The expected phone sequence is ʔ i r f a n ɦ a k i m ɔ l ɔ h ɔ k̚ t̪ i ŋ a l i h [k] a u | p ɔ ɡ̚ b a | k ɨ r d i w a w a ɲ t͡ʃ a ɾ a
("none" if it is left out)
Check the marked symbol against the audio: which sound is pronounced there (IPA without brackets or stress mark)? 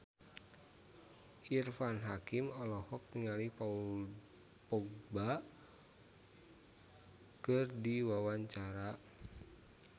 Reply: p